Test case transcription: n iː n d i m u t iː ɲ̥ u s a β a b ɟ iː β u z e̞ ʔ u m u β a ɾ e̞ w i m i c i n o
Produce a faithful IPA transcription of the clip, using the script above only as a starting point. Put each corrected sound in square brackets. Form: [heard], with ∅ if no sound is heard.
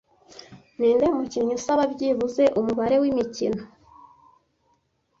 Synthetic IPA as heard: n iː n d [e] m u [c] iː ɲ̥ u s a β a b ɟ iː β u z e̞ ʔ u m u β a ɾ e̞ w i m i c i n o